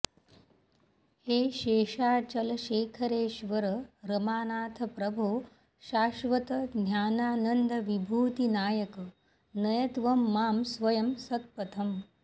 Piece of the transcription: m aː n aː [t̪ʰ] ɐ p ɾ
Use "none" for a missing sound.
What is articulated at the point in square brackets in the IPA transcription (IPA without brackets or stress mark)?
t̪ʰ